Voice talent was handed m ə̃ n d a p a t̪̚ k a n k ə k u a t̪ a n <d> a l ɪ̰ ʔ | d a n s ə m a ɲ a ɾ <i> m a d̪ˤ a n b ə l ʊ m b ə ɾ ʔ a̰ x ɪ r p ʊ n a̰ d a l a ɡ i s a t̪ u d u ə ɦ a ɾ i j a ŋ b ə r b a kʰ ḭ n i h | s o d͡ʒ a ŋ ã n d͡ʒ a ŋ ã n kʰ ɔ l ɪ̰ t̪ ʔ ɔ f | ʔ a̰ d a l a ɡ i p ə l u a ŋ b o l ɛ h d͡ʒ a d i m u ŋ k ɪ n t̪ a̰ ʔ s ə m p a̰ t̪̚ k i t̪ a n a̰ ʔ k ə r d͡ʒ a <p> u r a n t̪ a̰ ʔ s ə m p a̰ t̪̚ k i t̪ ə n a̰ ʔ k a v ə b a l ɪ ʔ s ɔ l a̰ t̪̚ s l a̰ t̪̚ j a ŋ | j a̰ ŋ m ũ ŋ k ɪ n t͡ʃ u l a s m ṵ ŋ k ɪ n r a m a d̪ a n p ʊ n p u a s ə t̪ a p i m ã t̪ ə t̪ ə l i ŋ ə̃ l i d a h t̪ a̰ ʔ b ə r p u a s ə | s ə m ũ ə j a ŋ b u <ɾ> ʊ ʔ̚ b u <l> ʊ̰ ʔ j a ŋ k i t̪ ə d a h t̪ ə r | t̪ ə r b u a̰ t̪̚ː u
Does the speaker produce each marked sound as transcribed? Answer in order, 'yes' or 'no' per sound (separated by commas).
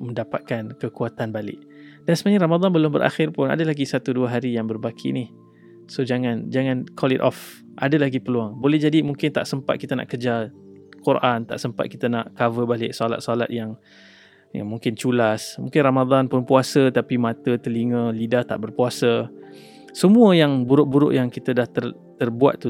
no, no, no, yes, no